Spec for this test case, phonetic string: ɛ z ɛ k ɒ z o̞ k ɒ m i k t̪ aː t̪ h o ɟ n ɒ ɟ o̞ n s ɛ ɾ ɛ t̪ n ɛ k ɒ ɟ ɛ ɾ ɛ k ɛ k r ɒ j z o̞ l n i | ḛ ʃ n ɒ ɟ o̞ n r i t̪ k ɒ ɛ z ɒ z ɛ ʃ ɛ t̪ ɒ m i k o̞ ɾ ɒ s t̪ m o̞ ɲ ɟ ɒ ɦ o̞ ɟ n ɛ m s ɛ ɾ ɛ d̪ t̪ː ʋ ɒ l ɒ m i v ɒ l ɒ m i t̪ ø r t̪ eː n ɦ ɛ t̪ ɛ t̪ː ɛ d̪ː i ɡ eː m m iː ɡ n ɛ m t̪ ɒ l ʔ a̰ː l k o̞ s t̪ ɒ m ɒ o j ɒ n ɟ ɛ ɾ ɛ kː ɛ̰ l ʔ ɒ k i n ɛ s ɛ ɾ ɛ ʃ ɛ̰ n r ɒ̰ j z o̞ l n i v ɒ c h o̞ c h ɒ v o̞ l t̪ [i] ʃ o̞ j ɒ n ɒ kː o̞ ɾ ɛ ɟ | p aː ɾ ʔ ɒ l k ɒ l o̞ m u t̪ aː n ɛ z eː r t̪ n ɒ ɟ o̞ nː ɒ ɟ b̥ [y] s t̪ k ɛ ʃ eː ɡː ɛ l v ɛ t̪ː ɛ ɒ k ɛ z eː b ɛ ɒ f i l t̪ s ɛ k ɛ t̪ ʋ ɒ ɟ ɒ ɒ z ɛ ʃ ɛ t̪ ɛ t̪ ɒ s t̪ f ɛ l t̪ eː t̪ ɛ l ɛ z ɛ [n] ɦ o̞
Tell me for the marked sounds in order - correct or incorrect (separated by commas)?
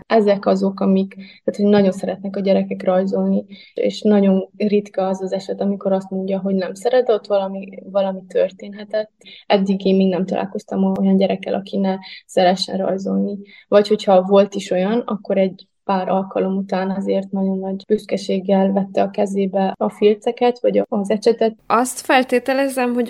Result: correct, correct, incorrect